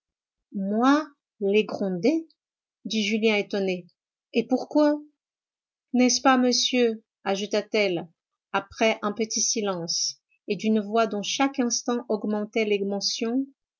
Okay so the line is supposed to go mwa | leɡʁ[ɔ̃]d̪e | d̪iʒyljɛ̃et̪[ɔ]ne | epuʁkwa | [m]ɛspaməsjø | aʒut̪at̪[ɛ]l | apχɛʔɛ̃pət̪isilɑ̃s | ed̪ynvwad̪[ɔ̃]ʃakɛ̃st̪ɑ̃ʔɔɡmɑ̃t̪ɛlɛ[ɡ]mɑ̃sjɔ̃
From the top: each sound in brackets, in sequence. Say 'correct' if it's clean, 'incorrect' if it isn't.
correct, correct, incorrect: n, correct, correct, correct

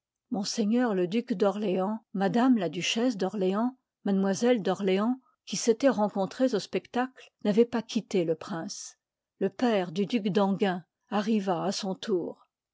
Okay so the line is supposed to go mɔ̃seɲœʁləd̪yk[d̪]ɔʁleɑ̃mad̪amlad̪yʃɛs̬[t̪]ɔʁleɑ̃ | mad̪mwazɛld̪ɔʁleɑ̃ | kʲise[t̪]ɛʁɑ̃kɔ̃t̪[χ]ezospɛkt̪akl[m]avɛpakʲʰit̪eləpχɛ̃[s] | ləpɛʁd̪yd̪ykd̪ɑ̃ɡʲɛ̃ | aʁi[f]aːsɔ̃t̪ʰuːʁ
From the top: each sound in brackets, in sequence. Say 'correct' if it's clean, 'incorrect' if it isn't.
correct, incorrect: d̪, correct, correct, incorrect: n, correct, incorrect: v

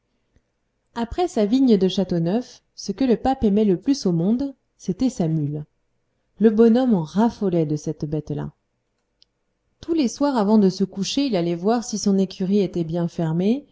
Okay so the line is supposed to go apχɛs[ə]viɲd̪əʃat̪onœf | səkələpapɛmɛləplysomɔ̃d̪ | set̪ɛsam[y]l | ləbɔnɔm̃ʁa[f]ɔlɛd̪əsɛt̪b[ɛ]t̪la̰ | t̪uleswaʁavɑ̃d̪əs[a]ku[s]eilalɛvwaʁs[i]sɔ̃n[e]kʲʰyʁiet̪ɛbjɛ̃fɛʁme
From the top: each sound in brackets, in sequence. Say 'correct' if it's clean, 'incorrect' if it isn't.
incorrect: a, correct, correct, correct, incorrect: ə, incorrect: ʃ, correct, correct

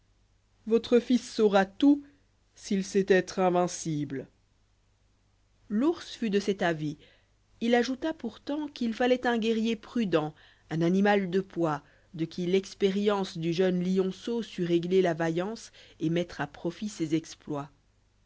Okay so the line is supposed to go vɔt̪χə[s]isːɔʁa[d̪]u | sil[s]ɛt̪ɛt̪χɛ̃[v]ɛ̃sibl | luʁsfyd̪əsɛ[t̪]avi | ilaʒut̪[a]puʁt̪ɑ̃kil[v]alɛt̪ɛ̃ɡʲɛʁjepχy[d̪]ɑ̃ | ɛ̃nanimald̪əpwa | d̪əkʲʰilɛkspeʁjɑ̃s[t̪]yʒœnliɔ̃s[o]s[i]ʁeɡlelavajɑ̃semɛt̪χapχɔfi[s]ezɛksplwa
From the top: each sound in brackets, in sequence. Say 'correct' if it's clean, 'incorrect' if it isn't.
incorrect: f, incorrect: t̪, correct, correct, correct, correct, incorrect: f, correct, incorrect: d̪, correct, incorrect: y, correct

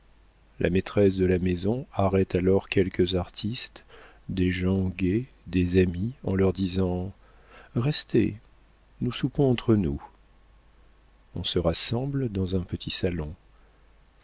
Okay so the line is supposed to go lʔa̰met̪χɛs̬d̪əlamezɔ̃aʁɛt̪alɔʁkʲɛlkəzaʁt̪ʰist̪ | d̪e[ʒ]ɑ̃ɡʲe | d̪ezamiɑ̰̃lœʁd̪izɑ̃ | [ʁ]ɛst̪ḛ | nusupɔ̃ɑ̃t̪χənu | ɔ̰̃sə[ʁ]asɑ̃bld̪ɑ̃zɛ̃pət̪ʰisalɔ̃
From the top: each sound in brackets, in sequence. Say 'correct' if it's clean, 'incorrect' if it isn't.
correct, correct, correct

